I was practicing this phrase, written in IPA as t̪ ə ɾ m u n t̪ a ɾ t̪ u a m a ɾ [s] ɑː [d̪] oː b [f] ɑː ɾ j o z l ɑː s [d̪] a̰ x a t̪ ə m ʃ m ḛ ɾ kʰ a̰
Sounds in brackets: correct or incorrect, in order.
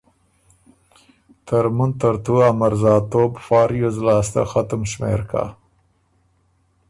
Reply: incorrect: z, incorrect: t̪, correct, incorrect: t̪

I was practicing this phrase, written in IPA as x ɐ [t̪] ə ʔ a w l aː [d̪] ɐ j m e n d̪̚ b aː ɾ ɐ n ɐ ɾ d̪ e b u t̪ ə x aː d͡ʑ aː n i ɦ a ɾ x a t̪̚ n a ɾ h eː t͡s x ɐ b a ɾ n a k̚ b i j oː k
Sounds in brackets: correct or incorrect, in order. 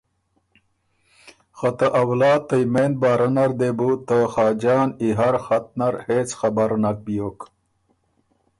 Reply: correct, incorrect: t̪

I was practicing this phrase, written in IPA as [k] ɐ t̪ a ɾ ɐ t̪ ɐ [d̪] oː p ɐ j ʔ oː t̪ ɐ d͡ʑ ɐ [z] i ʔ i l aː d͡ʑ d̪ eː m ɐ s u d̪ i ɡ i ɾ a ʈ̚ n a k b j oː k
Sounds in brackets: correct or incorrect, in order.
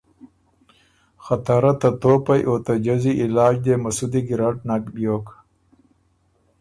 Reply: incorrect: x, incorrect: t̪, correct

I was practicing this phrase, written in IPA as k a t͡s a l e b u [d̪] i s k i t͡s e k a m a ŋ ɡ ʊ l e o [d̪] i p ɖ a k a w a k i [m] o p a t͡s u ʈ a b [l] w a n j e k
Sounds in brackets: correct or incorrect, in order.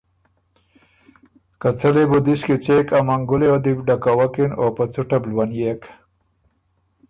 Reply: correct, correct, incorrect: n, correct

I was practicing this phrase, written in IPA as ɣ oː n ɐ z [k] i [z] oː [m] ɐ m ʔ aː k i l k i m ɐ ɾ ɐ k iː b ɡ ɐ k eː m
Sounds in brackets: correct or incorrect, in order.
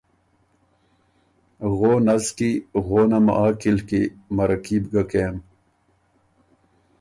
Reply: correct, incorrect: ɣ, incorrect: n

